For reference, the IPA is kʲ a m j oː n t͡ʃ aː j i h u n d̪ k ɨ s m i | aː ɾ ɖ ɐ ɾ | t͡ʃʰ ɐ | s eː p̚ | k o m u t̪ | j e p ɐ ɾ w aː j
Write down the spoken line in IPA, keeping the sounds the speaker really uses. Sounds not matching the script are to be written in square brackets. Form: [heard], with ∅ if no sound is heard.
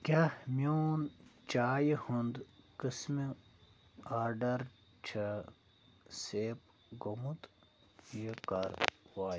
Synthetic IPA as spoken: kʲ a m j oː n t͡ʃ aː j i h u n d̪ k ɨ s m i | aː ɾ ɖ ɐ ɾ | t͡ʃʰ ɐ | s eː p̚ | [ɡ] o m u t̪ | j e [k] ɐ ɾ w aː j